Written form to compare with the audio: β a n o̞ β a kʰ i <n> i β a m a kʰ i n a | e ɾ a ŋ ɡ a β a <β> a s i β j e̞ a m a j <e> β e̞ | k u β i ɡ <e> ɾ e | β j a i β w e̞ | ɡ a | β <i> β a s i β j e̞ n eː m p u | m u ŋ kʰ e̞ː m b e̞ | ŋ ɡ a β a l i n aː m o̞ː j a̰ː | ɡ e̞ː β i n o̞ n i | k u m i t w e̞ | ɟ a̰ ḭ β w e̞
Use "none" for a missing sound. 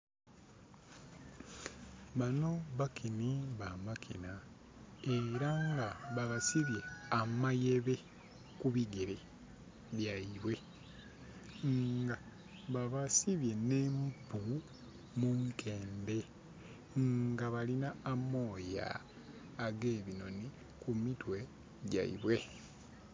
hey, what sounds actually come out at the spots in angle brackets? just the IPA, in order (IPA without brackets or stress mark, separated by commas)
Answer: n, β, e, e, a